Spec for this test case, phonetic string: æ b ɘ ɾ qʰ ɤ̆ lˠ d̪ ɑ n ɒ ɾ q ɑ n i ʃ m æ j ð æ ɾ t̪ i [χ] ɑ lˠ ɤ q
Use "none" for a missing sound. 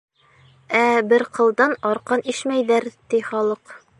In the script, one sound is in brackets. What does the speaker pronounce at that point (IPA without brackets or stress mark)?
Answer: χ